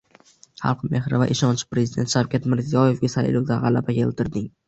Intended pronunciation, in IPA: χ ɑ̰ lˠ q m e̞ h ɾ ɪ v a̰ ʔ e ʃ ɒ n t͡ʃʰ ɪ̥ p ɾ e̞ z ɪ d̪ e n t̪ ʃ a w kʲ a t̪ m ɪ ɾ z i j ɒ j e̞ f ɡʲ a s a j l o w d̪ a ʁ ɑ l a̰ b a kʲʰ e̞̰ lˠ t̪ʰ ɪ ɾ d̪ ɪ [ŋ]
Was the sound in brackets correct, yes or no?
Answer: yes